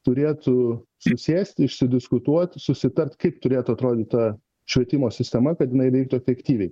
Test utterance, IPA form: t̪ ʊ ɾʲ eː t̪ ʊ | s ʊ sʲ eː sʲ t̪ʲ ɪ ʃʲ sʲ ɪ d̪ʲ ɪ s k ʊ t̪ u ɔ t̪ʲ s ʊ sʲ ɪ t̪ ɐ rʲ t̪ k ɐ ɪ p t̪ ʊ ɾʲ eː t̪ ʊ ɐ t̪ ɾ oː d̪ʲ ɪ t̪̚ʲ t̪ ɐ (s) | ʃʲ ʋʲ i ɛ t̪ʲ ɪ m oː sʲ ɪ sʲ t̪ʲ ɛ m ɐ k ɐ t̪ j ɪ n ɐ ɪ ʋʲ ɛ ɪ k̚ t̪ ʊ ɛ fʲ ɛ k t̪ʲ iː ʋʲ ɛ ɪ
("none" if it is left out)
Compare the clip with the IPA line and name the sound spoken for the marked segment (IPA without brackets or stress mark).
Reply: none